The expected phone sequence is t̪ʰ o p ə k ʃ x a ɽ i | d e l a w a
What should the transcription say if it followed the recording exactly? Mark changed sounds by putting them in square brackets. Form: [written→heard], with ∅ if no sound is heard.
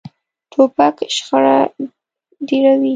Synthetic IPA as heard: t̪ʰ o p [ə→a] k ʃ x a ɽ [i→a] | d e [l→ɾ] a w [a→i]